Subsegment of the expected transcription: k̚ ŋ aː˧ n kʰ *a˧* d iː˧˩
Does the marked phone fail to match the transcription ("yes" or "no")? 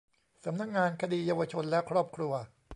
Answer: no